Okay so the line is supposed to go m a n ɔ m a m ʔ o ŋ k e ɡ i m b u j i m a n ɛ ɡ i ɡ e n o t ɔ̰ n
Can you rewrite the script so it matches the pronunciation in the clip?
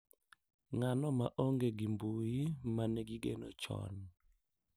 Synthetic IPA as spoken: ŋ a n ɔ m a ʔ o ŋ ɡ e ɡ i m b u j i m a n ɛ ɡ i ɡ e n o t͡ʃ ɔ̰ n